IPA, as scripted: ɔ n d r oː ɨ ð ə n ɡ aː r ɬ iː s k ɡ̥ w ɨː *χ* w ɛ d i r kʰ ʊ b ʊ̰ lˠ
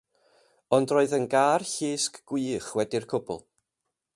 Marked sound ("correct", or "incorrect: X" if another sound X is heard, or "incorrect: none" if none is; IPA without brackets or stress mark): correct